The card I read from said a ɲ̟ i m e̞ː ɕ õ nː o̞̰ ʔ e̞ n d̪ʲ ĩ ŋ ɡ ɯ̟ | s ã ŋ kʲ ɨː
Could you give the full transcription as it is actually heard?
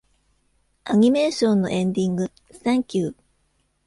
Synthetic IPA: a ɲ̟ i m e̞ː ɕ õ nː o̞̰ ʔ ẽ̞ n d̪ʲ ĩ ŋ ɡ ɯ̟ | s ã ŋ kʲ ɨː